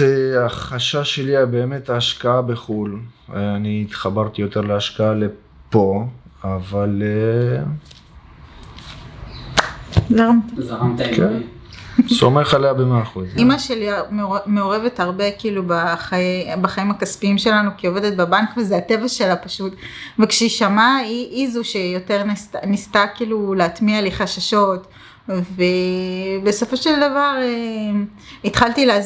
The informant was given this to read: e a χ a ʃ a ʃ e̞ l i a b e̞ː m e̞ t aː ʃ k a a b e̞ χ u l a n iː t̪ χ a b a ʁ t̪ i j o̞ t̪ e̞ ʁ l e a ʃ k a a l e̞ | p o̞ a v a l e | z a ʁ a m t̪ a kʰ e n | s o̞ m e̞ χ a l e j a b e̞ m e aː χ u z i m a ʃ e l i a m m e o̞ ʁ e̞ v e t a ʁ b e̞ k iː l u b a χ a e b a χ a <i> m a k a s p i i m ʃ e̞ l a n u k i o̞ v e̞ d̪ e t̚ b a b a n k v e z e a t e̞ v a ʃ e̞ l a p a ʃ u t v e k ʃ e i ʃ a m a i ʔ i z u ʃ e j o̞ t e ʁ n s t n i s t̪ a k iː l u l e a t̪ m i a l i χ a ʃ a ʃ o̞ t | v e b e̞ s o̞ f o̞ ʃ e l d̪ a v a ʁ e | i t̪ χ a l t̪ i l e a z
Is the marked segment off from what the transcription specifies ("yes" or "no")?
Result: no